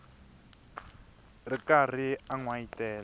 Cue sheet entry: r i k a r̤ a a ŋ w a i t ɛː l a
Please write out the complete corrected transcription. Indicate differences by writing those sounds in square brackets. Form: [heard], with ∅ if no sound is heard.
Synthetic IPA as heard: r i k a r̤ [i] a ŋ w a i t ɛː l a